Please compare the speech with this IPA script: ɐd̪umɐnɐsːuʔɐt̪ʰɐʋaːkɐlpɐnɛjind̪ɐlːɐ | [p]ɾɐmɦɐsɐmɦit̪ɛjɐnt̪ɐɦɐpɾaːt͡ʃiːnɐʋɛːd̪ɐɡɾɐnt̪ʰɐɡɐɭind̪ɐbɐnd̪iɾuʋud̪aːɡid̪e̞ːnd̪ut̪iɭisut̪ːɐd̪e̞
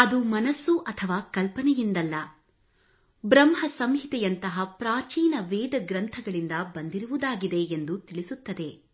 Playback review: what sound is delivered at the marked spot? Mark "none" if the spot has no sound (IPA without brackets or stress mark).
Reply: b